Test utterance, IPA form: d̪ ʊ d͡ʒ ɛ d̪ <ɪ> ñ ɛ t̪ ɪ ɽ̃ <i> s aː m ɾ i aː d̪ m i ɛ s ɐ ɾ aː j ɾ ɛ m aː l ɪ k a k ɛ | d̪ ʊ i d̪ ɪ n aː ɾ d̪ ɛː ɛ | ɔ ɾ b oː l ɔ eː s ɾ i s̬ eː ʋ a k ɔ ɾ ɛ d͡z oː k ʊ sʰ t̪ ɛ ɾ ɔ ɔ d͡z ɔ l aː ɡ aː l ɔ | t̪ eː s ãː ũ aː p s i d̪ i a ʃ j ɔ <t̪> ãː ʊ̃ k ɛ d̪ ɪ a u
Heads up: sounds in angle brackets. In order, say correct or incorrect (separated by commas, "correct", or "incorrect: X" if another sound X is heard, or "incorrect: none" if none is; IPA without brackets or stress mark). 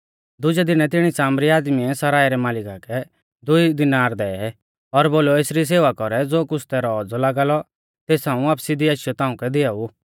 correct, correct, correct